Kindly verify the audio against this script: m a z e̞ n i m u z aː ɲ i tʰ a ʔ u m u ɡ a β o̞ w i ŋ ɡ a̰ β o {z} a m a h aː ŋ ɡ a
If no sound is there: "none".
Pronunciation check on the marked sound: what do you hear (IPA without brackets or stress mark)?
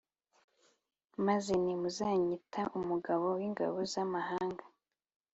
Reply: z